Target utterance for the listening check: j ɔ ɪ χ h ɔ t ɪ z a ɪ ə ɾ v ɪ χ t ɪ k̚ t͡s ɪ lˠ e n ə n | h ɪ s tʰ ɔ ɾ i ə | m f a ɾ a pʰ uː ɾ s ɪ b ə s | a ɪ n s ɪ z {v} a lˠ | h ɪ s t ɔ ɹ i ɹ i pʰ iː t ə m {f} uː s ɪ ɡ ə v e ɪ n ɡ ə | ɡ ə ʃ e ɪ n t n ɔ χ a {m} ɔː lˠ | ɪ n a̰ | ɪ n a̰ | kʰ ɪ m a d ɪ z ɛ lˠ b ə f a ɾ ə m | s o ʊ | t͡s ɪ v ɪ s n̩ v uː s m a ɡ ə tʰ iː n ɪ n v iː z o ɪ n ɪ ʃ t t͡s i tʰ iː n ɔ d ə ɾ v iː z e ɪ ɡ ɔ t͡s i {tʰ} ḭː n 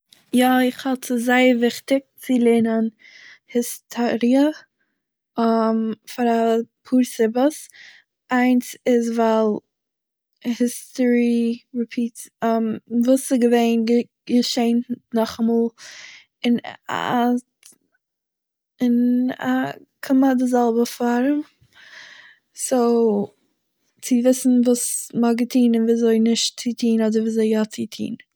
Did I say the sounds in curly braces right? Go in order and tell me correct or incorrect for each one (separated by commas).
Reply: correct, incorrect, correct, correct